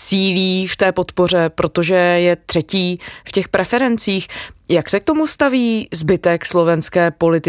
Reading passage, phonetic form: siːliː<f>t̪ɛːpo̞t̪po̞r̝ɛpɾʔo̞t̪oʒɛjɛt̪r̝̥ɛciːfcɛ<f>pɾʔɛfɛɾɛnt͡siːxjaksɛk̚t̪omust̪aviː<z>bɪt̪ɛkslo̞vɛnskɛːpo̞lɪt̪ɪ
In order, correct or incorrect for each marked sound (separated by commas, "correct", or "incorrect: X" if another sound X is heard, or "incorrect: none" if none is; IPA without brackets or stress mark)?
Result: correct, incorrect: x, correct